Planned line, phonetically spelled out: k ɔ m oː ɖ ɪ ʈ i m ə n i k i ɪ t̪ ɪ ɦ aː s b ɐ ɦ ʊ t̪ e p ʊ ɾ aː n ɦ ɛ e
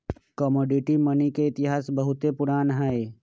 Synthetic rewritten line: k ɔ m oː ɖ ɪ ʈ i m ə n i k e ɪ t̪ ɪ ɦ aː s b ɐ ɦ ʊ t̪ e p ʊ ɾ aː n ɦ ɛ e